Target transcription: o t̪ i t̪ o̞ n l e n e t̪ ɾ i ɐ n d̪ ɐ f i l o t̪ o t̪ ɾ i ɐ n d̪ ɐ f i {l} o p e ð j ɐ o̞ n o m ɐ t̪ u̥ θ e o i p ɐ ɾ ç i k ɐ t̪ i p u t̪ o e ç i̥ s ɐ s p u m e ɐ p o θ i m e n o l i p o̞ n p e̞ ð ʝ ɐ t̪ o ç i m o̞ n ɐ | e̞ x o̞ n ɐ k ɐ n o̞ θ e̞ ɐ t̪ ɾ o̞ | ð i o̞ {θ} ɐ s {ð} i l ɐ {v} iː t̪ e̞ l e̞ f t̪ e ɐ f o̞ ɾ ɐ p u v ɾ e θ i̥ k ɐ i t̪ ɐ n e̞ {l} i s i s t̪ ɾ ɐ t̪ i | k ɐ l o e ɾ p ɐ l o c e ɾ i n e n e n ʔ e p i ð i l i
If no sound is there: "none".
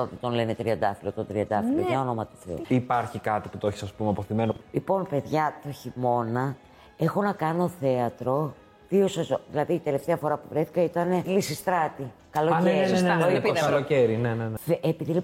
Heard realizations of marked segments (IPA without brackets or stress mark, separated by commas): l, s, ð, ð, l